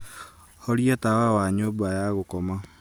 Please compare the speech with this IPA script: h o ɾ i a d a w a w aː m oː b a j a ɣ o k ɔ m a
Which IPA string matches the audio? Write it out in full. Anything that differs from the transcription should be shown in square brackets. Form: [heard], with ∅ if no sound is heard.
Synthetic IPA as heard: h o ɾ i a [t] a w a w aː [ɲ] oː b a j a ɣ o k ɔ m a

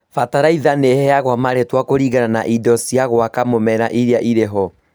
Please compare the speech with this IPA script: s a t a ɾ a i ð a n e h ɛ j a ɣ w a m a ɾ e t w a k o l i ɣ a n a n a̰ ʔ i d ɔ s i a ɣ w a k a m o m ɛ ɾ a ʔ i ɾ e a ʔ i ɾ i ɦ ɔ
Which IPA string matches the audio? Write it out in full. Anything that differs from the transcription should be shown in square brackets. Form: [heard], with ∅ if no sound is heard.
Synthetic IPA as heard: [f] a t a ɾ a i ð a n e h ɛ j a ɣ w a m a ɾ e t w a k o [ɾ] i ɣ a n a n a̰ ʔ i d ɔ s i a ɣ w a k a m o m ɛ ɾ a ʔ i ɾ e a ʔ i ɾ [e] ɦ ɔ

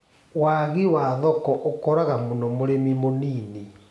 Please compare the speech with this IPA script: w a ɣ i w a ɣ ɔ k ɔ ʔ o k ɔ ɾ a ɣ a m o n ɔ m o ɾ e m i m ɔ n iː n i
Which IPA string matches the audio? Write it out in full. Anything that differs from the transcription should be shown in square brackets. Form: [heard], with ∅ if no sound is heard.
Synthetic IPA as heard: w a ɣ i w a [ð] ɔ k ɔ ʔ o k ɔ ɾ a ɣ a m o n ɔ m o ɾ e m i m [o] n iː n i

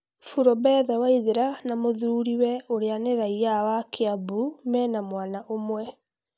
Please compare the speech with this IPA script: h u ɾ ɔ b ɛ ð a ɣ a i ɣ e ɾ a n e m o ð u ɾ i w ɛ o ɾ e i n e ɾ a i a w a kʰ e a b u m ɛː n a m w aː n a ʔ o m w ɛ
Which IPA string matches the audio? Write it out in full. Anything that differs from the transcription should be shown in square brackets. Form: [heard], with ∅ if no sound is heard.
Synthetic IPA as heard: [f] u ɾ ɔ b ɛ ð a [w] a i [ð] e ɾ a n [a] m o ð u ɾ i w ɛ o ɾ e [a] n e ɾ a i a w a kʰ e a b u m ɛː n a m w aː n a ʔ o m w ɛ

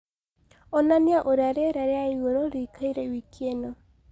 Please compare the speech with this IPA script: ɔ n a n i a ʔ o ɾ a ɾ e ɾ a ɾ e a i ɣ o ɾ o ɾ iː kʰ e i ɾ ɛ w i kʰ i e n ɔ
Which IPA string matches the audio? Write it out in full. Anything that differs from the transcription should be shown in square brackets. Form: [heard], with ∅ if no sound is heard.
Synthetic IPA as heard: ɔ n a n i a ʔ o ɾ a ɾ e ɾ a ɾ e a i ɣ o ɾ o ɾ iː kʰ [a] i ɾ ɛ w i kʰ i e n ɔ

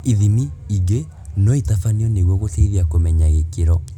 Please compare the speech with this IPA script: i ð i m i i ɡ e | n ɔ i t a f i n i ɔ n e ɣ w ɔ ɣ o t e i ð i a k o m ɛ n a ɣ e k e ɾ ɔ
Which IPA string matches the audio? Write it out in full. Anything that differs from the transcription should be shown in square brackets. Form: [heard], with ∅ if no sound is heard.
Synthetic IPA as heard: i ð i m i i ɡ e | n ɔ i t a f [a] n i ɔ n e ɣ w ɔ ɣ o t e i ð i a k o m ɛ [ɲ] a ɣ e k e ɾ ɔ

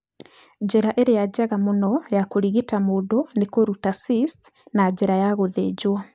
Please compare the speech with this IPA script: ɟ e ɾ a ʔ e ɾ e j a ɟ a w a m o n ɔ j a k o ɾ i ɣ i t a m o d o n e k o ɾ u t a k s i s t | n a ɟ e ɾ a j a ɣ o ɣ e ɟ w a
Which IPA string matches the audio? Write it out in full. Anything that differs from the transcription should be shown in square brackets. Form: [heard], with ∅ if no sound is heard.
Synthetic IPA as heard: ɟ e ɾ a ʔ e ɾ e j a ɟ a [ɣ] a m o n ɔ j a k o ɾ i ɣ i t a m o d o n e k o ɾ u t a [∅] s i s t | n a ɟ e ɾ a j a ɣ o [ð] e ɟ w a

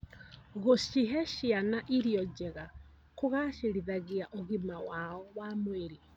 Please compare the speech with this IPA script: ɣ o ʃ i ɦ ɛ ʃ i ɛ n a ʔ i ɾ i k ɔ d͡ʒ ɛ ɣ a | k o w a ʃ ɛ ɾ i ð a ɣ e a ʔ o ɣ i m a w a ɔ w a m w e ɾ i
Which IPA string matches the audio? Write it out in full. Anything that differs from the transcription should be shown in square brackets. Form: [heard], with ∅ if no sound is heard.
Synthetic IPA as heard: ɣ o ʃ i ɦ ɛ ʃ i [a] n a ʔ i ɾ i [∅] ɔ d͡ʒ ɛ ɣ a | k o [ɣ] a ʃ [e] ɾ i ð a ɣ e a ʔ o ɣ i m a w a ɔ w a m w e ɾ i

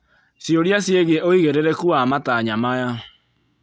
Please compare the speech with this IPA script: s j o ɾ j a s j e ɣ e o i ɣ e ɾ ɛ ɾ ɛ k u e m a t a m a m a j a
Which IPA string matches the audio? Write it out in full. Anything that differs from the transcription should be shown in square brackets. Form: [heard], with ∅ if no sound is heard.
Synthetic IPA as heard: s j o ɾ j a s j e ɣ e o i ɣ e ɾ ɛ ɾ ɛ k u [a] m a t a [ɲ] a m a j a

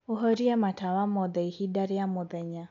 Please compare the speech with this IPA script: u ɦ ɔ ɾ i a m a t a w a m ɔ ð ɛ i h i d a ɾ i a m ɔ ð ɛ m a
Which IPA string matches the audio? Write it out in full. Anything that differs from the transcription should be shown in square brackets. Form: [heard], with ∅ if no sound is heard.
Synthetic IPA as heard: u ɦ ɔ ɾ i a m a t a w a m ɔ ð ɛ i h i d a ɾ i a m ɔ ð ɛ [ɲ] a

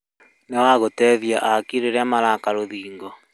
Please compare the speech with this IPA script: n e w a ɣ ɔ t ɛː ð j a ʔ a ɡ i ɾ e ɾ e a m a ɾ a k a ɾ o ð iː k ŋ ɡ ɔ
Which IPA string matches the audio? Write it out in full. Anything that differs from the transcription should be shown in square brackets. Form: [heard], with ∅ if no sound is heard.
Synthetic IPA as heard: n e w a ɣ [o] t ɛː ð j a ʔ a [k] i ɾ e ɾ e a m a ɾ a k a ɾ o ð iː [∅] ŋ ɡ ɔ

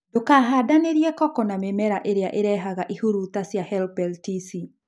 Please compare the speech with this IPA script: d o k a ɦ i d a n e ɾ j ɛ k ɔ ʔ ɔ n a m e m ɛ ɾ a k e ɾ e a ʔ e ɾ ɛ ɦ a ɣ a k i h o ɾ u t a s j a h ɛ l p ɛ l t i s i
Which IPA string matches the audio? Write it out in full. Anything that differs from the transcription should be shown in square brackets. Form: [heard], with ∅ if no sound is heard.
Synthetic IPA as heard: d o k a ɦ [a] d a n e ɾ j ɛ k ɔ [k] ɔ n a m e m ɛ ɾ a [ʔ] e ɾ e a ʔ e ɾ ɛ ɦ a ɣ a [ʔ] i h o ɾ u t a s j a h ɛ l p ɛ l t i s i

